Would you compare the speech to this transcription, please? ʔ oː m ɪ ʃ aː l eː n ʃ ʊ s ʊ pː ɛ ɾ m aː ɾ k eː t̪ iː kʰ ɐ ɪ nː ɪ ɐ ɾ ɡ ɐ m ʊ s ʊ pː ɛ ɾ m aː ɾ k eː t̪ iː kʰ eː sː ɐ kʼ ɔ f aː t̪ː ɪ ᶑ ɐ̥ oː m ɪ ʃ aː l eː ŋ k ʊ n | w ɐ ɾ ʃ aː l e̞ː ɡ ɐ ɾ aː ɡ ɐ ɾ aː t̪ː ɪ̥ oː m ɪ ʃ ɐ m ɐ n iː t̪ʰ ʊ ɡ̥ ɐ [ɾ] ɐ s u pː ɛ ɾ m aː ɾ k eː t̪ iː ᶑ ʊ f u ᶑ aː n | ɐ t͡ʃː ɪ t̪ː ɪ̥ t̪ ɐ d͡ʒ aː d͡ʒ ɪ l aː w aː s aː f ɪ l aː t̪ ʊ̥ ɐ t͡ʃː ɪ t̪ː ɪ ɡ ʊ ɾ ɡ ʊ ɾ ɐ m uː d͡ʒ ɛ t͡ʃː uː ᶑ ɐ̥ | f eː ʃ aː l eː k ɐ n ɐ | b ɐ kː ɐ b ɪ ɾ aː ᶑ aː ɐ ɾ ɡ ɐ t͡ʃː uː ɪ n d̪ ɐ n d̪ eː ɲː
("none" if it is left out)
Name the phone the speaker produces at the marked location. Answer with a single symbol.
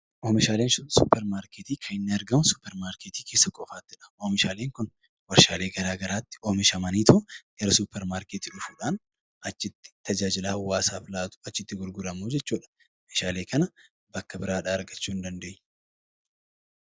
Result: ɾ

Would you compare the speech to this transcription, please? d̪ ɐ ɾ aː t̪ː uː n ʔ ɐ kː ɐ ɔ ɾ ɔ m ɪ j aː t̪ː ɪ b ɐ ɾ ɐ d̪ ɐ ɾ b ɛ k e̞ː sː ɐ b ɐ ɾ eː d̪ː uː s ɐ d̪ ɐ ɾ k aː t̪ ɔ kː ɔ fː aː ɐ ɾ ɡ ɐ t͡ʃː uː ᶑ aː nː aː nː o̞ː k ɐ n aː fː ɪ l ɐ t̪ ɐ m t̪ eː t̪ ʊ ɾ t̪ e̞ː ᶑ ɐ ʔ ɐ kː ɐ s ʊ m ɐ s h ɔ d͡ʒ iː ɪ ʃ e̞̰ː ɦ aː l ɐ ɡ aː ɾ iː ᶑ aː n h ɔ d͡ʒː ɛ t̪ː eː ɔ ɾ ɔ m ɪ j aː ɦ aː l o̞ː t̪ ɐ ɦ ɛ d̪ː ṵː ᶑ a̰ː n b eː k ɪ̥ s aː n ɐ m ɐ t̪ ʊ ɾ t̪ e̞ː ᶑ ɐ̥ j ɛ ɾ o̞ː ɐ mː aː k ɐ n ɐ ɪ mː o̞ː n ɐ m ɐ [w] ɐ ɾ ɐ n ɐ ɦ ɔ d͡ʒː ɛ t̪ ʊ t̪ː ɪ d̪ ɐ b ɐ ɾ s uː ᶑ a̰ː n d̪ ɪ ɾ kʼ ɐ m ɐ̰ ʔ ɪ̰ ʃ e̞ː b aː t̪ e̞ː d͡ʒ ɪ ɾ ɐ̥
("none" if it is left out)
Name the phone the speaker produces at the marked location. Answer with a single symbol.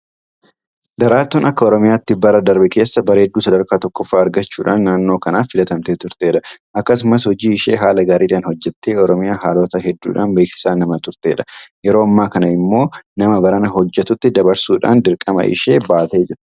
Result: b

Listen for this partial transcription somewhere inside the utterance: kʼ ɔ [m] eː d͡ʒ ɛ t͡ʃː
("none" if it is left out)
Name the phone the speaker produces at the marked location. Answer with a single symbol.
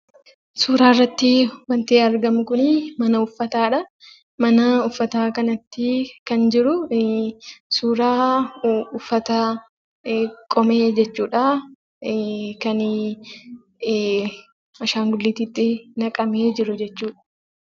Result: m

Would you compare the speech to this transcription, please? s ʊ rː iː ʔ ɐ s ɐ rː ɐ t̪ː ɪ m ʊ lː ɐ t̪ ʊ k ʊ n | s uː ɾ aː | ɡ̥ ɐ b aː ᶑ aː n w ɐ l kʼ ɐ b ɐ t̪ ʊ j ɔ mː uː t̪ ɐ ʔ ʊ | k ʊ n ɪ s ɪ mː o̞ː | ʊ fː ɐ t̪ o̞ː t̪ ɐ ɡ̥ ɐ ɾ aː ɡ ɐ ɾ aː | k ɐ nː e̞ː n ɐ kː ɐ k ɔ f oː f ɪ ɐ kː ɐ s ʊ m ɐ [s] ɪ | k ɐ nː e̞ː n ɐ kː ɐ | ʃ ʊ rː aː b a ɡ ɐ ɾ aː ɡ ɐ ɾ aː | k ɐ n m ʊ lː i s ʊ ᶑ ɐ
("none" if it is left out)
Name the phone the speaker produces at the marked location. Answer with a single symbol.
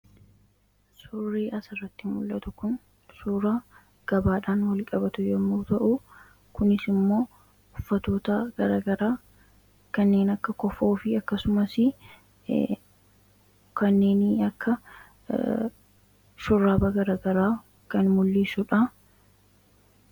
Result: s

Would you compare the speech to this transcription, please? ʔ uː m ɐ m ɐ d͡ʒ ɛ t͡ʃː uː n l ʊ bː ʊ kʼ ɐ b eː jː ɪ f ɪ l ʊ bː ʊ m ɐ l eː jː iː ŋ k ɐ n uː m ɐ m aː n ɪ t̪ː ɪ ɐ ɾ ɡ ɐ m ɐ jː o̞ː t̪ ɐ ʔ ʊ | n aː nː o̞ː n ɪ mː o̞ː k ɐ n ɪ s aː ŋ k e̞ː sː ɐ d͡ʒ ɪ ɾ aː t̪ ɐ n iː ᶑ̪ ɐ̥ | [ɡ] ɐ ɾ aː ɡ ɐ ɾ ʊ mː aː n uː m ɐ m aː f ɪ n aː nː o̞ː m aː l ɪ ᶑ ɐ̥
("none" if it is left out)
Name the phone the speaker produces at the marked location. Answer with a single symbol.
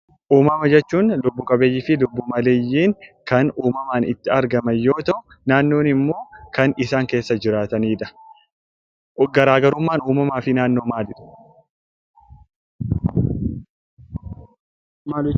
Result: ɡ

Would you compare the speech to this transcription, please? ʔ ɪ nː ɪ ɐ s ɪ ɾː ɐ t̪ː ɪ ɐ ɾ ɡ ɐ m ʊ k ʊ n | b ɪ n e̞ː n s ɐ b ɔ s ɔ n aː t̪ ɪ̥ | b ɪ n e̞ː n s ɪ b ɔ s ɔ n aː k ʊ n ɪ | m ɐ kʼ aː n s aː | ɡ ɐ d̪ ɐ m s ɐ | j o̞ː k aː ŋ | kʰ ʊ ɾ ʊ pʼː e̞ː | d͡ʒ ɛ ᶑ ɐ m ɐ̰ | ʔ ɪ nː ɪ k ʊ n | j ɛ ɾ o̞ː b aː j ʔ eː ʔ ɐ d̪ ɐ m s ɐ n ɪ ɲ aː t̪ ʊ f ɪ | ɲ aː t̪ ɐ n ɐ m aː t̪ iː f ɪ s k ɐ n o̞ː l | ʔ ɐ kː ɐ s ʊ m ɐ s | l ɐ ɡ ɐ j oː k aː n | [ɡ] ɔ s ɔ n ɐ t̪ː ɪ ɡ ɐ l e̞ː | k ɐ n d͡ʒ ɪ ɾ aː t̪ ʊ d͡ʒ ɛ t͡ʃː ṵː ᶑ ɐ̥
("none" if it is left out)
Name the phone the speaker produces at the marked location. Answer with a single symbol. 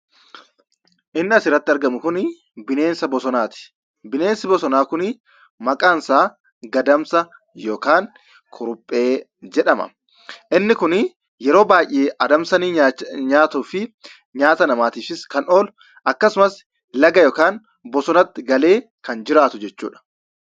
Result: b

